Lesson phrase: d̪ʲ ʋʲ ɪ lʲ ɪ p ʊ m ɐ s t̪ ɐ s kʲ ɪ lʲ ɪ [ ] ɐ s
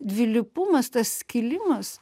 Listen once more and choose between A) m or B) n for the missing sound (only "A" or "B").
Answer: A